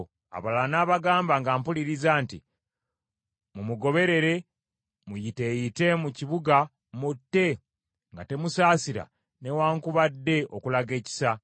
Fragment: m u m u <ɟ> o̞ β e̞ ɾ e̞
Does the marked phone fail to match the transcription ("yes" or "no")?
yes